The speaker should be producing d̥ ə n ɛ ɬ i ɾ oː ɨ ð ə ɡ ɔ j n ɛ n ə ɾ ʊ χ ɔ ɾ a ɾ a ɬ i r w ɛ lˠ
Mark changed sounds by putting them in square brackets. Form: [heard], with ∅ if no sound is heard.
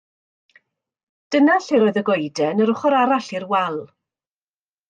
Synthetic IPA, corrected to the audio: d̥ ə n [a] ɬ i ɾ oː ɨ ð ə ɡ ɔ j [d] ɛ n ə ɾ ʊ χ ɔ ɾ a ɾ a ɬ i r w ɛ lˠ